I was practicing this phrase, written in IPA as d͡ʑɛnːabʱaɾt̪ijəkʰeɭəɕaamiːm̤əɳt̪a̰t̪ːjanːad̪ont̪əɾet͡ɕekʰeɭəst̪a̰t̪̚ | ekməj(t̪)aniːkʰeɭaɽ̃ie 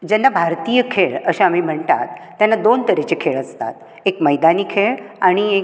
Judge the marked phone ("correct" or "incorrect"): incorrect